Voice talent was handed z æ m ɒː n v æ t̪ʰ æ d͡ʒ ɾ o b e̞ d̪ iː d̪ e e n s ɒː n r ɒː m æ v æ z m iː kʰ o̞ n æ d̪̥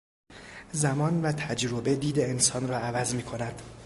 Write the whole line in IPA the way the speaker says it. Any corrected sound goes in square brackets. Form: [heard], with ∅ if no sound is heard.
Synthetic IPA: z æ m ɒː n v æ t̪ʰ æ d͡ʒ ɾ o b e̞ d̪ iː d̪ e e n s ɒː n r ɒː [∅] æ v æ z m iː kʰ o̞ n æ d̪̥